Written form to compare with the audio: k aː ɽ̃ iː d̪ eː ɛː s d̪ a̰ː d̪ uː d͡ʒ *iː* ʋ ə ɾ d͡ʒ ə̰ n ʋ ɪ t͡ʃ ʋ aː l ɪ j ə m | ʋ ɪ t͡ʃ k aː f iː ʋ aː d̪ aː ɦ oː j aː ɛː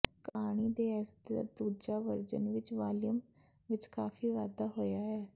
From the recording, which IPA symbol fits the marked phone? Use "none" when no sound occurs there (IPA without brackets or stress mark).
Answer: aː